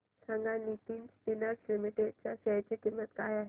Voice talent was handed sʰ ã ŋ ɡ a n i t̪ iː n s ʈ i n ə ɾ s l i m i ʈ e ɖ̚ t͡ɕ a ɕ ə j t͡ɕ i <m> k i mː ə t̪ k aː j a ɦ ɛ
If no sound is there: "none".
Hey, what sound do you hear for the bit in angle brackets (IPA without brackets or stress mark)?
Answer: none